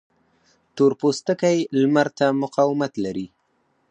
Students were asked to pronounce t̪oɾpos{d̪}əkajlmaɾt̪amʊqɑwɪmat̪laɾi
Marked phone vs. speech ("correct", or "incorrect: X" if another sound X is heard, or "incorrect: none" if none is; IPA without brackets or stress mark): incorrect: t̪